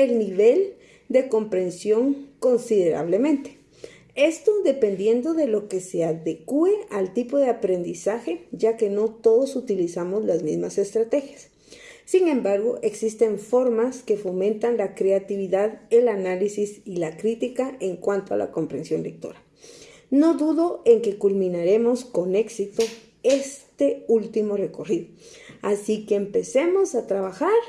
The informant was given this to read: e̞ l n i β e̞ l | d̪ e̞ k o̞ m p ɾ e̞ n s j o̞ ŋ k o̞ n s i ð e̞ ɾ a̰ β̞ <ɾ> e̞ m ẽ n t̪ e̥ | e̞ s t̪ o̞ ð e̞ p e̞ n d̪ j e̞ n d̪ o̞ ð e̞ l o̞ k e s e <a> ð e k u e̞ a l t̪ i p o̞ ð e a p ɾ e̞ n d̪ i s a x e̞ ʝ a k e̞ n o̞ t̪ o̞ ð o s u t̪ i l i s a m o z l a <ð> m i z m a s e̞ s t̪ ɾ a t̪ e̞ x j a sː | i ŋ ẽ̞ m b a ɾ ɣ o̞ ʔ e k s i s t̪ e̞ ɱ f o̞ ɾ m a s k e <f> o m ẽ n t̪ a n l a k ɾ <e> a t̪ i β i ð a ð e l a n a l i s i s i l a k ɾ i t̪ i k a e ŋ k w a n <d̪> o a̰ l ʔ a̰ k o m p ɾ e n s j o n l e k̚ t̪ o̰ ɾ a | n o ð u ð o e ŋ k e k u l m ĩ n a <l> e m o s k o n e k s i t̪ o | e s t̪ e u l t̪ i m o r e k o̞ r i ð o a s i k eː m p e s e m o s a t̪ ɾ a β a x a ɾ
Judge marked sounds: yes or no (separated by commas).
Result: no, yes, no, yes, yes, no, no